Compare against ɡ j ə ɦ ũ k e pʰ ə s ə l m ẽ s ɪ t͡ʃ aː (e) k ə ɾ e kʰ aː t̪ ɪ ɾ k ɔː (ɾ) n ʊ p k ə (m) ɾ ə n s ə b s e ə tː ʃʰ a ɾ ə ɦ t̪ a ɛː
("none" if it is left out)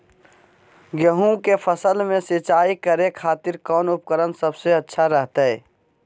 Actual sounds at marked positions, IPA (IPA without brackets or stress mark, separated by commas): i, none, none